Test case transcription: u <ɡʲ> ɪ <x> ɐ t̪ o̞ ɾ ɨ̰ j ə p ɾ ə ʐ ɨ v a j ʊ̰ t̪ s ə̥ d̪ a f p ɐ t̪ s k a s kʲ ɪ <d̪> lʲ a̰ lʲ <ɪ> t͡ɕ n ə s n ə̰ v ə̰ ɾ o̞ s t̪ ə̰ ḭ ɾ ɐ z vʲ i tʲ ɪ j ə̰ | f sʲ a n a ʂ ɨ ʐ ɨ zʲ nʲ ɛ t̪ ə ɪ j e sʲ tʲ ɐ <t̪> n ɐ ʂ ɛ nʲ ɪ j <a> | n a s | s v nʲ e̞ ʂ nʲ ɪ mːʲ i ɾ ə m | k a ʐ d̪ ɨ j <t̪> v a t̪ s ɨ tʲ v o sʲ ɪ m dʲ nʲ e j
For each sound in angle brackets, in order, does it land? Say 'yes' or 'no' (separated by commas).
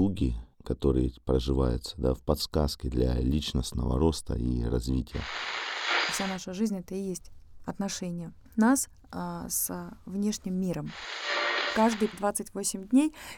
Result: yes, no, yes, no, yes, no, no